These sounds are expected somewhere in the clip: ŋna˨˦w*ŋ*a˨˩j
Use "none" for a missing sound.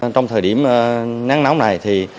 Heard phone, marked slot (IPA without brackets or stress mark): n